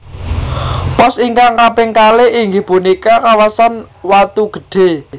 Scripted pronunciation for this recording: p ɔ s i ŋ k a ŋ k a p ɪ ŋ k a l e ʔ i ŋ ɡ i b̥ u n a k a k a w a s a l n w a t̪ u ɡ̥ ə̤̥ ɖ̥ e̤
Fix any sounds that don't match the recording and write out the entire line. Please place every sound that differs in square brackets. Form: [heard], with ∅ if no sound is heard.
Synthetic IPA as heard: p ɔ s i ŋ k a ŋ k a p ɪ ŋ k a l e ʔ i ŋ ɡ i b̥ u n [i] k a k a w a s a [∅] n w a t̪ u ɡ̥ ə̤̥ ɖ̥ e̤